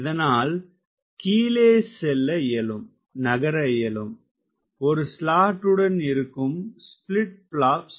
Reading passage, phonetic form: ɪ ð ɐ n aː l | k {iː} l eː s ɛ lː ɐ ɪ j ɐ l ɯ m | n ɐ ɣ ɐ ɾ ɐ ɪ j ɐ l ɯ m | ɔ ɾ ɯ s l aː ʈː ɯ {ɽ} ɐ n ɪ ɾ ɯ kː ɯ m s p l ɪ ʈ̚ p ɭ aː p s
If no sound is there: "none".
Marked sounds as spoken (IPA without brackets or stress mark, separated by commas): iː, ɽ